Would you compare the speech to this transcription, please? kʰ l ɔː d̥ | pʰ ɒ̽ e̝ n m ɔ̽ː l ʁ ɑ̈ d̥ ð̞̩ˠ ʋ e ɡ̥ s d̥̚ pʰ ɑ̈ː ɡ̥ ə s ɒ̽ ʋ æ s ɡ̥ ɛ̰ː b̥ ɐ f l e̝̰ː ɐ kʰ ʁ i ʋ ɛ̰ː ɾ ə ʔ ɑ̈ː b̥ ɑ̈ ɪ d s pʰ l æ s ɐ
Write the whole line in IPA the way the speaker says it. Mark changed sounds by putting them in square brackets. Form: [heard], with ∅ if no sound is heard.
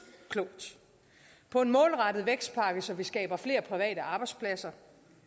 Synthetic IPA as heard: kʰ l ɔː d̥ | pʰ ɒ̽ e̝ n m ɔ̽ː l ʁ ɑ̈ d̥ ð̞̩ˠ ʋ e ɡ̥ s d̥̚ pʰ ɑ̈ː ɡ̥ ə s ɒ̽ ʋ [i] s ɡ̥ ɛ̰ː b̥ ɐ f l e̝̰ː ɐ [pʰ] ʁ i ʋ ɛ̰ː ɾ ə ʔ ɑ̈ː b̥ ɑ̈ ɪ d s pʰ l æ s ɐ